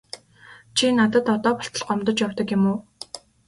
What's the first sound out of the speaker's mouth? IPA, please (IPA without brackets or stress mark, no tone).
t͡ɕʰ